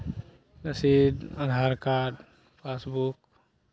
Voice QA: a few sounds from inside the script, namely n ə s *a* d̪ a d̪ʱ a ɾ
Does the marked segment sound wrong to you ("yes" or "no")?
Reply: yes